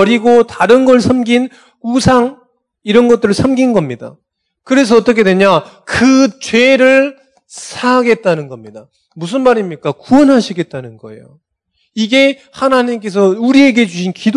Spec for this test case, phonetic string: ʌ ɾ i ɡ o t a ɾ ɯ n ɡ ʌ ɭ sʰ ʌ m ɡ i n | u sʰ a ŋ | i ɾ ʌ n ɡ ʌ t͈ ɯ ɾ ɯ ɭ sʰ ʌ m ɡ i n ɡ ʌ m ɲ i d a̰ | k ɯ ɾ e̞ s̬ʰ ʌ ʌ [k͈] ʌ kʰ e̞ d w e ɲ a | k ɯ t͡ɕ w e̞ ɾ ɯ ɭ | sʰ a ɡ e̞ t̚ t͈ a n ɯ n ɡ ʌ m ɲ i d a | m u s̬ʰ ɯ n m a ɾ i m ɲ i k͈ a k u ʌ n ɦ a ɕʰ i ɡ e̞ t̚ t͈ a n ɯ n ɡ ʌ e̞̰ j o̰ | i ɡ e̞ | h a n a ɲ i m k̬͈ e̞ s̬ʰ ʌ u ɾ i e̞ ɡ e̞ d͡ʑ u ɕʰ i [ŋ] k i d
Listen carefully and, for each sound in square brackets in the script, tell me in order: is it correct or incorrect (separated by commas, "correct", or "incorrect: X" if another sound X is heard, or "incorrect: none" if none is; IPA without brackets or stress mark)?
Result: incorrect: t͈, incorrect: n